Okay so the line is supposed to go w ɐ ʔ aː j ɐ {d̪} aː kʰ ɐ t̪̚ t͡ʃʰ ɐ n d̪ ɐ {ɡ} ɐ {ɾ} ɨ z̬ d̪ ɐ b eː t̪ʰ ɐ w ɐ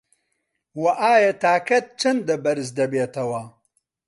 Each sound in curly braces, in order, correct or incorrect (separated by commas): incorrect, incorrect, correct